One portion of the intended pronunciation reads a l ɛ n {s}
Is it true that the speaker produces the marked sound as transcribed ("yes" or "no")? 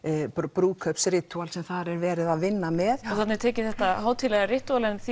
no